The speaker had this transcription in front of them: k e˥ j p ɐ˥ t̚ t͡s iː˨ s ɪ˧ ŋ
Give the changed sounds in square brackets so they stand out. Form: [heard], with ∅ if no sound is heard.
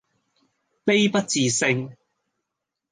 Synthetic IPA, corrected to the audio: [p] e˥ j p ɐ˥ t̚ t͡s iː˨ s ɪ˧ ŋ